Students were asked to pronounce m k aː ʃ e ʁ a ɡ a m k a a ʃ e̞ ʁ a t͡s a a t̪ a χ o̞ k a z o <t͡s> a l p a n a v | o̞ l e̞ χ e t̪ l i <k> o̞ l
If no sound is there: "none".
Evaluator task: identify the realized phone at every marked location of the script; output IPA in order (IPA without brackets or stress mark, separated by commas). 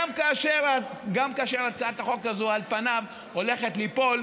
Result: none, p